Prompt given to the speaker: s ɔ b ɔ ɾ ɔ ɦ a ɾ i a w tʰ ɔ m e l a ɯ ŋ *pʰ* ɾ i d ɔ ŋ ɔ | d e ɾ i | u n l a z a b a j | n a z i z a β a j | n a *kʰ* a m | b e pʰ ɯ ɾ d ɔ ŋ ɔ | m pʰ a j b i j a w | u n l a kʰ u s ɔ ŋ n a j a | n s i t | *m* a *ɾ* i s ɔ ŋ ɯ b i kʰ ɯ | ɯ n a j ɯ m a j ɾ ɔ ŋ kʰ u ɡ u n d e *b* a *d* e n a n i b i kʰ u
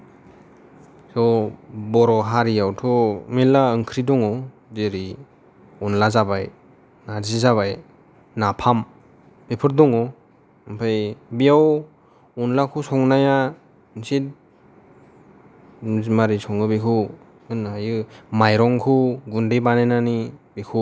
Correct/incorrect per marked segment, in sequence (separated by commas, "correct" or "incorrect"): incorrect, incorrect, correct, correct, correct, incorrect